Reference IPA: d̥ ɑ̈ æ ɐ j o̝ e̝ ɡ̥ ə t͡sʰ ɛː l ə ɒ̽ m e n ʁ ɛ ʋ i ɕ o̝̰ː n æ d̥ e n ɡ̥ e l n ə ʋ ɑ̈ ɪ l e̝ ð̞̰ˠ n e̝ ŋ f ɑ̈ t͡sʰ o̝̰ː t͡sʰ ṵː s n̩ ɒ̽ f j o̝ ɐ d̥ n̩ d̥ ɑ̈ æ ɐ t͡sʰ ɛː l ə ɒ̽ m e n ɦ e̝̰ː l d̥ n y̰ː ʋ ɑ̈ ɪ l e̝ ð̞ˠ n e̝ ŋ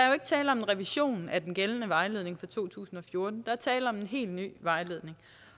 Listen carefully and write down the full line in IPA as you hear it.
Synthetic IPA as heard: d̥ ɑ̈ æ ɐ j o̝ e̝ ɡ̥ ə t͡sʰ ɛː l ə ɒ̽ m e n ʁ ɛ ʋ i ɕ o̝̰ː n æ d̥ e n ɡ̥ e l n ə ʋ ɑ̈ ɪ l e̝ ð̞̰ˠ n e̝ ŋ f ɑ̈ t͡sʰ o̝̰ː t͡sʰ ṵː s n̩ ɒ̽ f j o̝ ɐ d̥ n̩ d̥ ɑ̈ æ ɐ t͡sʰ ɛː l ə ɒ̽ m e n ɦ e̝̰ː l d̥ n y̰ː ʋ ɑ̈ ɪ l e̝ ð̞ˠ n e̝ ŋ